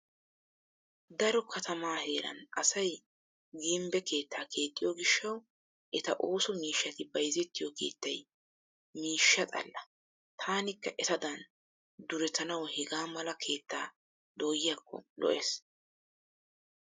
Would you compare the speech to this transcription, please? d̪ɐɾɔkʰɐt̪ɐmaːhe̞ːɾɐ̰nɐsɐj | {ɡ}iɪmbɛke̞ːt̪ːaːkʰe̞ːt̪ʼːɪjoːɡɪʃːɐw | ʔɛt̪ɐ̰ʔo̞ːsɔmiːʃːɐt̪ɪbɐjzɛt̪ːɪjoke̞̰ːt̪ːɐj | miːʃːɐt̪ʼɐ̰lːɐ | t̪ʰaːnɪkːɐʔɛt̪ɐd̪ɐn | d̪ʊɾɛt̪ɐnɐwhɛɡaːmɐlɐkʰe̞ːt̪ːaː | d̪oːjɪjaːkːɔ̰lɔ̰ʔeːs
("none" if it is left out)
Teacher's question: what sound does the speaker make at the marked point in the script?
ɡ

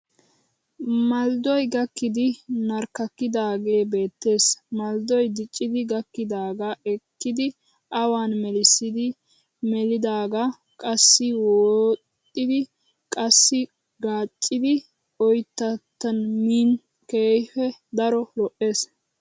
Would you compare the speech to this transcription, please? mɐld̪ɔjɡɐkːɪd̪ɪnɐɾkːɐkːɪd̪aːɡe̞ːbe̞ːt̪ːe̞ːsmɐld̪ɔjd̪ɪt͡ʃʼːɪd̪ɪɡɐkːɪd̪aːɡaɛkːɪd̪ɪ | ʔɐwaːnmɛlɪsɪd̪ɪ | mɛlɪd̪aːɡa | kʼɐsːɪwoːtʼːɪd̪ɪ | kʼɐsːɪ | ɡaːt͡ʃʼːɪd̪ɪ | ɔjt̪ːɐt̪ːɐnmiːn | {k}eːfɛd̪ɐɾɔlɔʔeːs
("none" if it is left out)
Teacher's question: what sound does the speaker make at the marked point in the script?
k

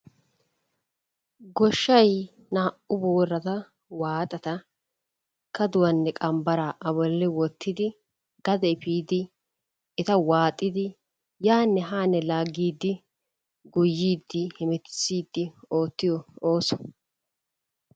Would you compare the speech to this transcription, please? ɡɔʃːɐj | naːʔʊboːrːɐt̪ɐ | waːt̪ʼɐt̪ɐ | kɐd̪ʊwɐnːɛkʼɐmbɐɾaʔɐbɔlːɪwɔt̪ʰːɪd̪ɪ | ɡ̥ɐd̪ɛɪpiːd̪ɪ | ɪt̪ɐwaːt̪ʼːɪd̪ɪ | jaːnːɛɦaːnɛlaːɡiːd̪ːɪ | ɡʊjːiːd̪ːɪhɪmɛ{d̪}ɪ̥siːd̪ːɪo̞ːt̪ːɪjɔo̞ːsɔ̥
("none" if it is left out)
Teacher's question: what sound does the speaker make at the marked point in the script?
t̪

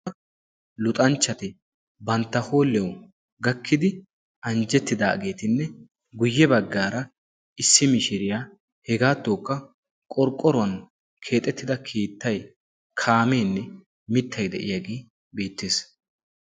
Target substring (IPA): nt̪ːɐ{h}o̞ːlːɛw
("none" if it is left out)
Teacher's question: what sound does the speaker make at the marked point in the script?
h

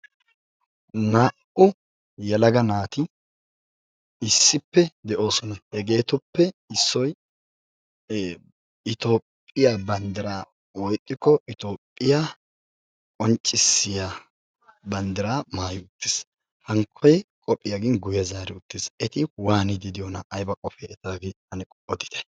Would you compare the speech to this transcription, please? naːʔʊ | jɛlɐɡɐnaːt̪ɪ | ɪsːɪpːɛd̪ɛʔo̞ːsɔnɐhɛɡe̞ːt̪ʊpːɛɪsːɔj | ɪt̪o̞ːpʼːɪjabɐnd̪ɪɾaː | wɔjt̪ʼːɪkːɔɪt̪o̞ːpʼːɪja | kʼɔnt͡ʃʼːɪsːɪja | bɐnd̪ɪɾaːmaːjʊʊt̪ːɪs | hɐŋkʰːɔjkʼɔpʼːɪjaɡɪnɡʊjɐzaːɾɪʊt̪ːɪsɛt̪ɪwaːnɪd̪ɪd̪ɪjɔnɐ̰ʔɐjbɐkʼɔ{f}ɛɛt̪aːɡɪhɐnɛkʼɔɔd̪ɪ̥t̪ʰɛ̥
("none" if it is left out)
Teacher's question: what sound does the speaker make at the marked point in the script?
f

